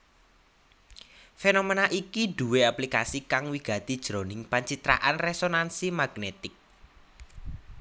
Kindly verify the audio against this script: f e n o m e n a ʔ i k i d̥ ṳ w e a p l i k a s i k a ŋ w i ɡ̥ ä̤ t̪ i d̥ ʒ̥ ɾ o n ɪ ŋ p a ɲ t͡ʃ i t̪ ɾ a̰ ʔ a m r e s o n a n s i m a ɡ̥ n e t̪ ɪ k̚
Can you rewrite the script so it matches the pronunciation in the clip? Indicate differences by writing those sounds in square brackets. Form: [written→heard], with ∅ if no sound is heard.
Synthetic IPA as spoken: f e n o m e n a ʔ i k i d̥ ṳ w e a p l i k a s i k a ŋ w i ɡ̥ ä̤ t̪ i d̥ ʒ̥ ɾ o n ɪ ŋ p a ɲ t͡ʃ i t̪ ɾ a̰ ʔ a [m→n] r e s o n a n s i m a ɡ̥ n e t̪ ɪ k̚